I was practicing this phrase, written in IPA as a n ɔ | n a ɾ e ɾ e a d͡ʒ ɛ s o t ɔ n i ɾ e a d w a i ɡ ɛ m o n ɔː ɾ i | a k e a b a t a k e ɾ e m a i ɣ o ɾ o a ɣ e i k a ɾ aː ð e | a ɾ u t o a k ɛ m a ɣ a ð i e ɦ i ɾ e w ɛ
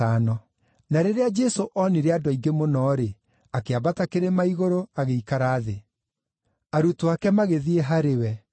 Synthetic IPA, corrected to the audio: a n ɔ | n a ɾ e ɾ e a d͡ʒ ɛ s o ʔ ɔ n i ɾ e a d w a i ɡ e m o n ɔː ɾ e | a k e a b a t a k e ɾ e m a i ɣ o ɾ o a ɣ e i k a ɾ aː ð e | a ɾ u t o a k ɛ m a ɣ e ð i e ɦ a ɾ e w ɛ

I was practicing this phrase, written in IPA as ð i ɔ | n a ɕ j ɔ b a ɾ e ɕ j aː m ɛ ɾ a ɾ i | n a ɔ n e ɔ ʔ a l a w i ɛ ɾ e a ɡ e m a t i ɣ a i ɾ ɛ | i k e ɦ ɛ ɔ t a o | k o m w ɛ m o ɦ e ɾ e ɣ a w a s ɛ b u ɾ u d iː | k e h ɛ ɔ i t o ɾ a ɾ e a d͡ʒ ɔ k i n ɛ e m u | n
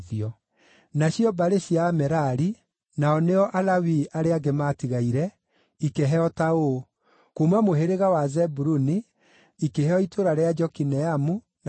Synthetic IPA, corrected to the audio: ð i ɔ | n a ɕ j ɔ b a ɾ e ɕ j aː m ɛ ɾ a ɾ i | n a ɔ n e ɔ ʔ a l a w i a ɾ e a ɡ e m a t i ɣ a i ɾ ɛ | i k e ɦ ɛ ɔ t a o | k o m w a m o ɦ e ɾ e ɣ a w a z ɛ b u ɾ u n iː | k e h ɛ ɔ i t o ɾ a ɾ e a d͡ʒ ɔ k i n ɛ a m u | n

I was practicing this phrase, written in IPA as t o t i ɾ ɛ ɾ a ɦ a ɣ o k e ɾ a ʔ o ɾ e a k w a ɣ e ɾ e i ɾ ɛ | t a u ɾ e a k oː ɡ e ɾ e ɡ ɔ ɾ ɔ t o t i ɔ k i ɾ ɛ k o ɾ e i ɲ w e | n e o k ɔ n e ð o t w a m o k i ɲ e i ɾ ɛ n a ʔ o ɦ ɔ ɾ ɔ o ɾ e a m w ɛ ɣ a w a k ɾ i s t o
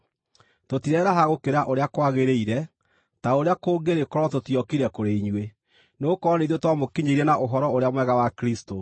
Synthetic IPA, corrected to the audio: t o t i ɾ ɛ ɾ a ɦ a ɣ o k e ɾ a ʔ o ɾ e a k w a ɣ e ɾ e i ɾ ɛ | t a o ɾ e a k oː ɡ e ɾ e k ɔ ɾ ɔ t o t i ɔ k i ɾ ɛ k o ɾ e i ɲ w e | n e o k ɔ n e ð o t w a m o k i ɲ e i ɾ ɛ n a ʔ o ɦ ɔ ɾ ɔ o ɾ e a m w ɛ ɣ a w a k ɾ i s t o

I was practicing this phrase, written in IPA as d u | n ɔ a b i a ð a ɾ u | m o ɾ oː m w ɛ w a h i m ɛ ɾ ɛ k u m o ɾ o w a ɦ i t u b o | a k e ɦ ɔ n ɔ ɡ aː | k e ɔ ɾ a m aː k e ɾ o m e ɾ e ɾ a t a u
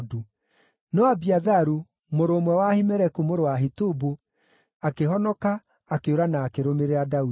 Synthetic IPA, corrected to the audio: d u | n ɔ a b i a ð a ɾ u | m o ɾ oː m w ɛ w a h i m ɛ ɾ ɛ k u m o ɾ o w a ɦ i t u b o | a k e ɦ ɔ n ɔ k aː | k e o ɾ a n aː k e ɾ o m e ɾ e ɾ a d a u

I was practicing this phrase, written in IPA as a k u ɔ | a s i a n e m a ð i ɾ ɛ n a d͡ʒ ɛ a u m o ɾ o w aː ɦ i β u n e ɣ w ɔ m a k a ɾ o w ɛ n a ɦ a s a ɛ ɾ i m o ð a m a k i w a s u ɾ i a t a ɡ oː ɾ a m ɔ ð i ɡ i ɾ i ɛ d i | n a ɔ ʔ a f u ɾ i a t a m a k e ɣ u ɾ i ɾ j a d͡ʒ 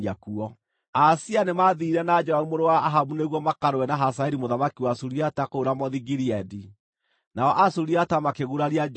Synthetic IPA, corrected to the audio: a k u ɔ | a s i a n e m a ð i ɾ ɛ n a d͡ʒ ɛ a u m o ɾ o w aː ɦ a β u n e ɣ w ɔ m a k a ɾ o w ɛ n a ɦ a s a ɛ ɾ i m o ð a m a k i w a s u ɾ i a t a k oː ɾ a m ɔ ð i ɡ i ɾ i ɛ d i | n a ɔ ʔ a s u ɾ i a t a m a k e ɣ u ɾ a ɾ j a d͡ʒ

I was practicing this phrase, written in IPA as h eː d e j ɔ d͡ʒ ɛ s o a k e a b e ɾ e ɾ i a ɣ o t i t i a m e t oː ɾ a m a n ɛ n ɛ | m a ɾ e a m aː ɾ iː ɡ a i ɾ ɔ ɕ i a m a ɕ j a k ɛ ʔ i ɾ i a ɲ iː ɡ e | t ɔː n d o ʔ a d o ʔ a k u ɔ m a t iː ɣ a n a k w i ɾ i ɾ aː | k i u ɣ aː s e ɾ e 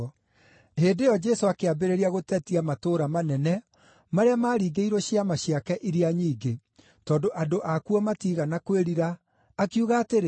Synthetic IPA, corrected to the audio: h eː d e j ɔ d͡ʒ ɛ s o a k e a b e ɾ e ɾ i a ɣ o t ɛ t i a m a t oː ɾ a m a n ɛ n ɛ | m a ɾ e a m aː ɾ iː ɡ e i ɾ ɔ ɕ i a m a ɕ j a k ɛ ʔ i ɾ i a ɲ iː ɡ e | t ɔː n d o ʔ a d o ʔ a k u ɔ m a t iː ɣ a n a k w e ɾ i ɾ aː | k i u ɣ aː t e ɾ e

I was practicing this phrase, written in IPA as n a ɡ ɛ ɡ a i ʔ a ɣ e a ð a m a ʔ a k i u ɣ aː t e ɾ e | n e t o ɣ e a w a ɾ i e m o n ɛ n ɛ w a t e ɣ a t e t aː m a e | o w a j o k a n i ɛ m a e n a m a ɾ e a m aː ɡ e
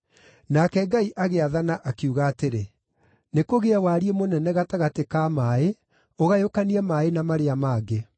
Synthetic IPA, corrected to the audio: n a k ɛ ɡ a i ʔ a ɣ e a ð a n a ʔ a k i u ɣ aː t e ɾ e | n e k o ɣ e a w a ɾ i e m o n ɛ n ɛ ɣ a t a ɣ a t e k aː m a e | o ɣ a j o k a n i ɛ m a e n a m a ɾ e a m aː ɡ e

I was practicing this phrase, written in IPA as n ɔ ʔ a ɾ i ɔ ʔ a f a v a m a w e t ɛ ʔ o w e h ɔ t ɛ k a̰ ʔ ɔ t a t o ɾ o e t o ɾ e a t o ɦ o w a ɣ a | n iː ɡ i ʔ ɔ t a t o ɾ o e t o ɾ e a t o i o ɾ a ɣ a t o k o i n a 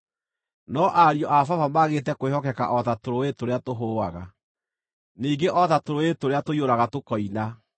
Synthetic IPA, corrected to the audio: n ɔ ʔ a ɾ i ɔ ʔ a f a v a m a ɣ e t ɛ k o w e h ɔ k ɛ k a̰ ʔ ɔ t a t o ɾ o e t o ɾ e a t o ɦ o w a ɣ a | n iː ɡ e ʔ ɔ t a t o ɾ o e t o ɾ e a t o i o ɾ a ɣ a t o k ɔ i n a

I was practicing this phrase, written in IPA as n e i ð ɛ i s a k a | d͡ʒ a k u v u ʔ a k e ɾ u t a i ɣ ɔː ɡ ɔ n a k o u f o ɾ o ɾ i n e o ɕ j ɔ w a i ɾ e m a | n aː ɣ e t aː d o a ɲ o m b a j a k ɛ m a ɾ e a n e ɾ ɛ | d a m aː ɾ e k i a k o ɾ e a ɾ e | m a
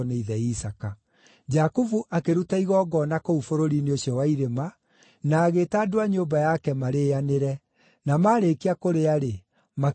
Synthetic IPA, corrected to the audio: n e i ð ɛ i s a k a | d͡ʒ a k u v u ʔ a k e ɾ u t a i ɣ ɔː ɡ ɔ n a k o u f o ɾ o ɾ i n e o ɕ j ɔ w a i ɾ e m a | n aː ɣ e t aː d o a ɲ o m b a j a k ɛ m a ɾ e a n e ɾ ɛ | n a m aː ɾ e k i a k o ɾ e a ɾ e | m a

